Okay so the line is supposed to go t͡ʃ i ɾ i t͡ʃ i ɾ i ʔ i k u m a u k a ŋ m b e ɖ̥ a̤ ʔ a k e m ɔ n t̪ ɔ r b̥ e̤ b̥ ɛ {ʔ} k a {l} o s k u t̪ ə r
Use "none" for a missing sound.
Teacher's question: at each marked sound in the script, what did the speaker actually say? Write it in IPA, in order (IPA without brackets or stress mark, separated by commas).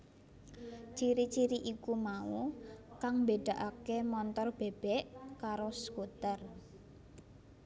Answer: ʔ, ɾ